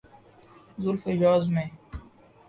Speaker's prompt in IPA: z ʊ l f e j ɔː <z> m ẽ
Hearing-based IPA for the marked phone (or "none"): z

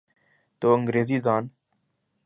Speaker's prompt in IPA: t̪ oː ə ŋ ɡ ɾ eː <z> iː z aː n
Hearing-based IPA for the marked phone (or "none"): z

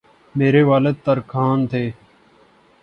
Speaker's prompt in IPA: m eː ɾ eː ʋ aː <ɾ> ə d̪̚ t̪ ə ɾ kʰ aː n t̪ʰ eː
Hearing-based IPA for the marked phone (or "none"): l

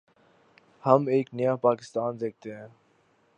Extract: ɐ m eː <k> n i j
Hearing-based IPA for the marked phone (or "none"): k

